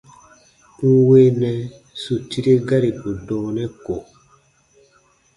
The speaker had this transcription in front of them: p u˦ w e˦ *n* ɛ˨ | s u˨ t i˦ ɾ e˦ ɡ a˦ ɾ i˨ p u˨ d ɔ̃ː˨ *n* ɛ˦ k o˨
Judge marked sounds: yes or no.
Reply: yes, yes

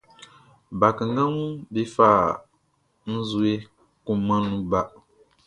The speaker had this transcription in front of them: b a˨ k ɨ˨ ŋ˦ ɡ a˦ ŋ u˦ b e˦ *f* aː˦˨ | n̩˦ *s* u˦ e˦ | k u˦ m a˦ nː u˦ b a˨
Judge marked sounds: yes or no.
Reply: yes, no

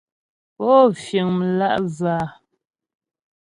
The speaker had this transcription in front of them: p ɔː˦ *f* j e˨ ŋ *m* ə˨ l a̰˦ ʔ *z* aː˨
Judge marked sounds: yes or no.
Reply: yes, yes, yes

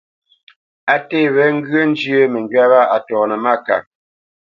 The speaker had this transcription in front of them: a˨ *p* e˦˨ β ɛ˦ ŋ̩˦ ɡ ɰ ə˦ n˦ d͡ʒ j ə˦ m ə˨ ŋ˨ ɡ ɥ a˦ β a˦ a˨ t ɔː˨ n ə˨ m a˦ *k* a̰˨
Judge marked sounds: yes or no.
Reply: no, yes

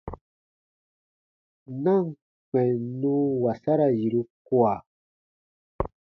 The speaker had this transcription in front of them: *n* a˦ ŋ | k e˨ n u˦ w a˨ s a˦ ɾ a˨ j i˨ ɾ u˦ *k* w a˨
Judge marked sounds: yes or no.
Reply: yes, yes

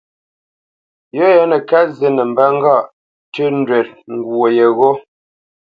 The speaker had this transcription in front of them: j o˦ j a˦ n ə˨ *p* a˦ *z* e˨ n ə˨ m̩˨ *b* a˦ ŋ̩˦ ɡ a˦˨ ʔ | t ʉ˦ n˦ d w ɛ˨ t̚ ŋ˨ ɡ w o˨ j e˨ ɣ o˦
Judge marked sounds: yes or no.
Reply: no, yes, yes

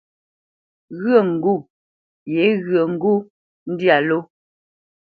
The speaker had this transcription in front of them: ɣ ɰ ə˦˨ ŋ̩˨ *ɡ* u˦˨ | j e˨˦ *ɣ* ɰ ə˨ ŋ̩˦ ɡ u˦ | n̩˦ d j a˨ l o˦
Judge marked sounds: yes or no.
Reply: yes, yes

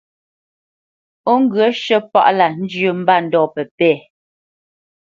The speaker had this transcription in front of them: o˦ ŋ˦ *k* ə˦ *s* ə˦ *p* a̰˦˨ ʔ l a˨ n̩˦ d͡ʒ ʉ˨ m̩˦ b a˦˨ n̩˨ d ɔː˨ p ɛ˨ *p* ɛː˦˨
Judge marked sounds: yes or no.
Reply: no, no, yes, yes

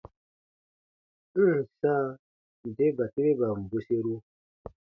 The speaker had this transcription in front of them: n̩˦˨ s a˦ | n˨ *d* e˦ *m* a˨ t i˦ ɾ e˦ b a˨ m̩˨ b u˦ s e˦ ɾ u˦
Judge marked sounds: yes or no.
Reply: yes, no

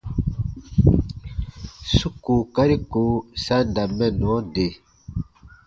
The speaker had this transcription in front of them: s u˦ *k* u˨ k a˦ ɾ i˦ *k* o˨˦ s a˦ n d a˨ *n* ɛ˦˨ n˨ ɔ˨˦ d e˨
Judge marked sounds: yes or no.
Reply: yes, yes, no

